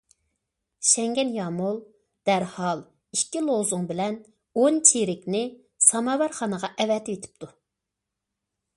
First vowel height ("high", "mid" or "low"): mid